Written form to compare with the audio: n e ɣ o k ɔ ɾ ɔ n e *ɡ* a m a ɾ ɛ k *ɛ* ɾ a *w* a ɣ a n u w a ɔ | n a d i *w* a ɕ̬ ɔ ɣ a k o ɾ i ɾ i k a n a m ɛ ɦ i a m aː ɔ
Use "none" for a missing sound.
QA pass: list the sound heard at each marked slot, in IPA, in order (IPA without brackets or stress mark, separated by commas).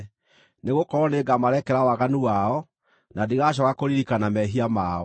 ɡ, ɛ, w, ɣ